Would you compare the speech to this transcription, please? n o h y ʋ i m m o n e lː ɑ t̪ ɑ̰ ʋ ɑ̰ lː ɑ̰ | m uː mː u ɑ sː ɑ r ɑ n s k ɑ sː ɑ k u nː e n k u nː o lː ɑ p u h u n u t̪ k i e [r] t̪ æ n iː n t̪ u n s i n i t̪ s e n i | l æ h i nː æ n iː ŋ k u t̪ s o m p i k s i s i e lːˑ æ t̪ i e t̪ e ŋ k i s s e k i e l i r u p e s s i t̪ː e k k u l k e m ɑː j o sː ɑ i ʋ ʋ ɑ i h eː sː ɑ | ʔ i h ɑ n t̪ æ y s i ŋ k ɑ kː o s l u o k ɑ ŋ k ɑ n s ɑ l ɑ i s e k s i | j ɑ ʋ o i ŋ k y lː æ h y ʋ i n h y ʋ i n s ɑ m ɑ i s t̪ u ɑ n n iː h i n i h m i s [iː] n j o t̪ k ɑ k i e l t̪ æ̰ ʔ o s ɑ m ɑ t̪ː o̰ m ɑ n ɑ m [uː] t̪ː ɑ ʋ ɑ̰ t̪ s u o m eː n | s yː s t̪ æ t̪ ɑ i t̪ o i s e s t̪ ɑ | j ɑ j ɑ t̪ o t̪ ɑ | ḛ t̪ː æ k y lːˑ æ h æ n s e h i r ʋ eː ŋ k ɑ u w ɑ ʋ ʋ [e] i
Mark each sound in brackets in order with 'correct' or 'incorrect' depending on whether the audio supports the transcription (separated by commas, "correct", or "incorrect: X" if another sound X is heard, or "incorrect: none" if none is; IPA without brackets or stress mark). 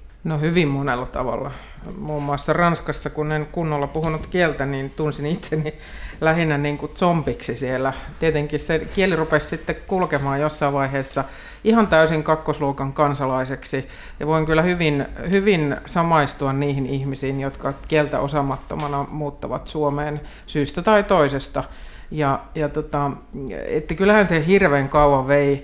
incorrect: l, correct, correct, correct